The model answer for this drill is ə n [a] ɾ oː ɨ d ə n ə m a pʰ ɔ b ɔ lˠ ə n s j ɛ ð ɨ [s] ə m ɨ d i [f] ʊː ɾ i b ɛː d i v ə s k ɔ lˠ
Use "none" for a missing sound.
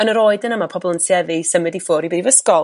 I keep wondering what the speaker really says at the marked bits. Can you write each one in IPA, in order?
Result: ə, s, f

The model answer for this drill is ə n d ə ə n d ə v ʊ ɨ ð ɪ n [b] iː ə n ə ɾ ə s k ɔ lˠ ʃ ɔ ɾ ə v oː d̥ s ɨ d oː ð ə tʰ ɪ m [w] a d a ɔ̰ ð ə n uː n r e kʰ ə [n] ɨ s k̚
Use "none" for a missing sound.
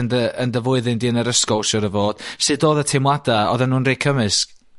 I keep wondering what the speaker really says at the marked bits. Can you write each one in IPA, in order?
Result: d, w, m

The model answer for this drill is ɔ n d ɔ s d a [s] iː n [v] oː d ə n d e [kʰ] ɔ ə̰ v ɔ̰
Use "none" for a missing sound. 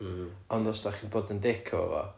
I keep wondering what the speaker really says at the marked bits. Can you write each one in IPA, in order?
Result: χ, b, kʰ

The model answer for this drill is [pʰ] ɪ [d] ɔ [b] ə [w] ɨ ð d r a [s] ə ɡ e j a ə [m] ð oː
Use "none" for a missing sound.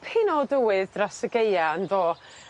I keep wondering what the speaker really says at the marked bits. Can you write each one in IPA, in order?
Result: pʰ, n, d, w, s, n

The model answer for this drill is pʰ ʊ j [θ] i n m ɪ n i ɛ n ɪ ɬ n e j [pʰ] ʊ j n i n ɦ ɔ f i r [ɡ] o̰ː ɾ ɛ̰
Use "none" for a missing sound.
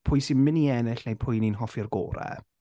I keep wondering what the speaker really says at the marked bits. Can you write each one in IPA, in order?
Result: s, pʰ, ɡ

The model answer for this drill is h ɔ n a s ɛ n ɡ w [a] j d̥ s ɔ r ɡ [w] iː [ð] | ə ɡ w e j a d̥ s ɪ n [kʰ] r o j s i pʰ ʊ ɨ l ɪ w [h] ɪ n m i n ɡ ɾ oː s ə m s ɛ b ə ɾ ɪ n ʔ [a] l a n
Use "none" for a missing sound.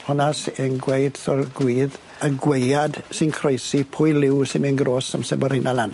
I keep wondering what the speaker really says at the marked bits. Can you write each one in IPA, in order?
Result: e, w, ð, kʰ, s, a

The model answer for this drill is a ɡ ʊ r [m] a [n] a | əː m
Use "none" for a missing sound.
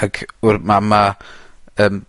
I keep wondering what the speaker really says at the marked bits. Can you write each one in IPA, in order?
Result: m, m

